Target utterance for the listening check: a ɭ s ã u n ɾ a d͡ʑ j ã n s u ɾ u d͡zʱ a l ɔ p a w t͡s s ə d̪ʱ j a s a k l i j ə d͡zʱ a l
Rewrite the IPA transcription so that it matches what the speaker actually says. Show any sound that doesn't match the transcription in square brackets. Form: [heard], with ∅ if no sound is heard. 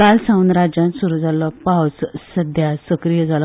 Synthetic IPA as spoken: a [l] s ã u n ɾ a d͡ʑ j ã n s u ɾ u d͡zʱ a l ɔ p a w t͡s s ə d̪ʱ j a s [ə] k [ɾ] i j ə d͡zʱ a l